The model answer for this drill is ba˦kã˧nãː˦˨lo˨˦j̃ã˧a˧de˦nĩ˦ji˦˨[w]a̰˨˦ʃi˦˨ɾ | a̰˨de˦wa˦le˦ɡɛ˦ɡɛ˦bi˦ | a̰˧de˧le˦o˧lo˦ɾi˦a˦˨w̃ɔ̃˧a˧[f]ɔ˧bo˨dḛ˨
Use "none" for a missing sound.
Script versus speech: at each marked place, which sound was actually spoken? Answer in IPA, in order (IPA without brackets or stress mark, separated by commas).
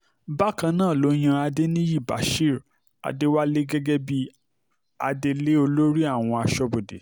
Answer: b, ʃ